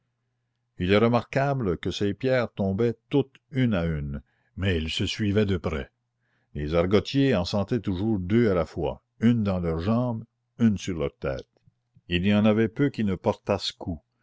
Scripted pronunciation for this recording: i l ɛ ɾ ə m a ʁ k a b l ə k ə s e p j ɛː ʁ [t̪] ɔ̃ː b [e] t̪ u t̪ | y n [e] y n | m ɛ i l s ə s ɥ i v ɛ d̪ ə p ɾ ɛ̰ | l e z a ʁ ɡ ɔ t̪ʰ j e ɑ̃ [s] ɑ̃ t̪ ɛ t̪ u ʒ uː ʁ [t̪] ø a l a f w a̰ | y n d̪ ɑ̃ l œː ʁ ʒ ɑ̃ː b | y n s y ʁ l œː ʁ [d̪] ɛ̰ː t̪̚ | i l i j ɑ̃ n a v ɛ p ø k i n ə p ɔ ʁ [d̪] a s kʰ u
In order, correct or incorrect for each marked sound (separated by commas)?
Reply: correct, incorrect, incorrect, correct, incorrect, incorrect, incorrect